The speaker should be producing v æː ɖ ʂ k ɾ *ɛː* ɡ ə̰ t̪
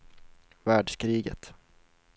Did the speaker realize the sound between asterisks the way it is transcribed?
no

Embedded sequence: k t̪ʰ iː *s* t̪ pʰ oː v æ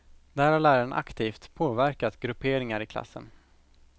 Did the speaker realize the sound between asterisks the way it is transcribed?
no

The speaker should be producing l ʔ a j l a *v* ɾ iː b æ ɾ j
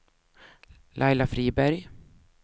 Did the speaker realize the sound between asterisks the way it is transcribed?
no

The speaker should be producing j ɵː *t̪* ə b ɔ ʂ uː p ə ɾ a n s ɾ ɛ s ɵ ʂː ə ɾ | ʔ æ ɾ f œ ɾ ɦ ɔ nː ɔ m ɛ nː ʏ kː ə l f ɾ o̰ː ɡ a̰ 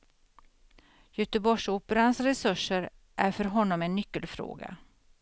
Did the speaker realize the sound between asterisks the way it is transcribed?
yes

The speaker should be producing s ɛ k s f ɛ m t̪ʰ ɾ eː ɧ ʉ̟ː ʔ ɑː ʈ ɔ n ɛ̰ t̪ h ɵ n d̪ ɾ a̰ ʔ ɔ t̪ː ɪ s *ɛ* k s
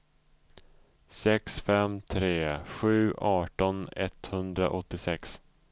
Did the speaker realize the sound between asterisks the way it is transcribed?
yes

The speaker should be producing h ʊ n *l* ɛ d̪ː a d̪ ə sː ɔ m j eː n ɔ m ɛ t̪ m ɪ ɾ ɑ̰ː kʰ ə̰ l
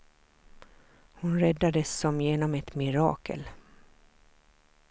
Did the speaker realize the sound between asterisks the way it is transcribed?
no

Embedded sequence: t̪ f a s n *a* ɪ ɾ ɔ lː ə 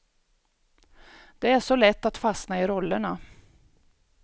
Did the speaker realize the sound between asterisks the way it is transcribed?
yes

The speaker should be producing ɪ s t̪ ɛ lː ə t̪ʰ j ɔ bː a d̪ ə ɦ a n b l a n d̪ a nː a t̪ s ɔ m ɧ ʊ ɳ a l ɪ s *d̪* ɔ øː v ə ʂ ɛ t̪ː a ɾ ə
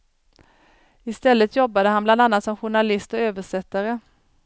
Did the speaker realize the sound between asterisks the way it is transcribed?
no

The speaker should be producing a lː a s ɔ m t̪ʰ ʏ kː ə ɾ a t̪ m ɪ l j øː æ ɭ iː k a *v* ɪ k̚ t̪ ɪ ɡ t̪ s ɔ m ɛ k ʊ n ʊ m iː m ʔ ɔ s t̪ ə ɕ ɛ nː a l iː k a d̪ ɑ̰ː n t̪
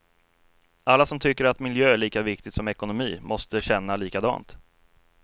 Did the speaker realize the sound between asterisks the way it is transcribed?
yes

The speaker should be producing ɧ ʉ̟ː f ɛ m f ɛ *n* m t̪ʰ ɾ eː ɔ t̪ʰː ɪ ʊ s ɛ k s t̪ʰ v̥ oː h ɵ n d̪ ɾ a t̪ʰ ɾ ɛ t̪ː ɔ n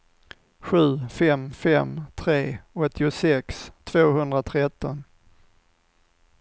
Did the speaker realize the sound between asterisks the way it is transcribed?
no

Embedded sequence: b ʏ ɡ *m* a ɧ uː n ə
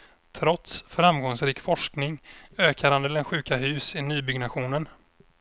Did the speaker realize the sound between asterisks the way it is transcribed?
no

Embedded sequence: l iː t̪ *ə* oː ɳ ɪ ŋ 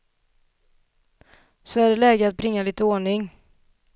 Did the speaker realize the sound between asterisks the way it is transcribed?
yes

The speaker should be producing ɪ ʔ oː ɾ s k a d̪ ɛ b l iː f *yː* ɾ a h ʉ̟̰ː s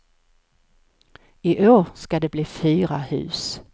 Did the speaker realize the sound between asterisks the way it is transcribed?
yes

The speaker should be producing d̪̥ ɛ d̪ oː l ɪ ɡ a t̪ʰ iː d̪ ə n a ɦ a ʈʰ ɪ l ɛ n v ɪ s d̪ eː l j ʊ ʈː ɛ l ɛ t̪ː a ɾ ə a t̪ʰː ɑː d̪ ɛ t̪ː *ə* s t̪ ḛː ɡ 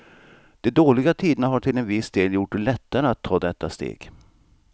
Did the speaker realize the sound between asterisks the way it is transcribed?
no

